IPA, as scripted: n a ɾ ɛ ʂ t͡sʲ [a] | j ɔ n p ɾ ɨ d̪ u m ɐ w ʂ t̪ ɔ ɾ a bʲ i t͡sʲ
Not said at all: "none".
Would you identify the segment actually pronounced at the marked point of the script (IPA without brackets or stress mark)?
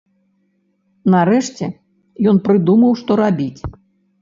ɛ